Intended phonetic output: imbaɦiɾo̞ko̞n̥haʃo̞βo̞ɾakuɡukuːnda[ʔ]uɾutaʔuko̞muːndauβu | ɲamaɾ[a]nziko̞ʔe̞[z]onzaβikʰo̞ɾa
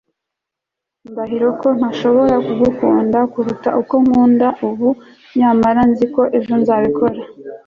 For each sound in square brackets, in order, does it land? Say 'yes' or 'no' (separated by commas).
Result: no, yes, no